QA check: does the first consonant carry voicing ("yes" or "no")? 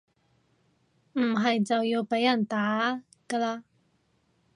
yes